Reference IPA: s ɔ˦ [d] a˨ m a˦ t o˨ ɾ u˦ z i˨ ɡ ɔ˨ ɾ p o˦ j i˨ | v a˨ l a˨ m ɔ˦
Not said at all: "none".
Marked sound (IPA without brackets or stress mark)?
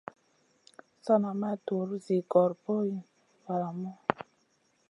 n